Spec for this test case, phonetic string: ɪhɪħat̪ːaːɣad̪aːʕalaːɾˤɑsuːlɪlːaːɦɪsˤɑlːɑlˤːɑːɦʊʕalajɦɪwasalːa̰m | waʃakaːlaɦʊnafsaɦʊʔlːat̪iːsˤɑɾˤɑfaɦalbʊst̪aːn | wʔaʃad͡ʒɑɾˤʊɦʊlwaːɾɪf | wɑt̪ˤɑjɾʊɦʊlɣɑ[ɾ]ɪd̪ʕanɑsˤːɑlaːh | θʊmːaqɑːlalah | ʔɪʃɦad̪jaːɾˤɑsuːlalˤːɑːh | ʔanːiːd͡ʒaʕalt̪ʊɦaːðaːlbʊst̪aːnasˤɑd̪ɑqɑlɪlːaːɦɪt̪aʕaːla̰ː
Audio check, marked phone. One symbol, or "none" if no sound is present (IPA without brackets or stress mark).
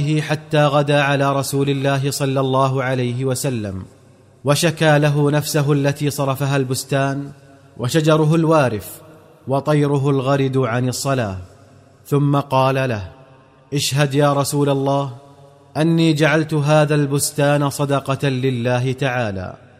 ɾ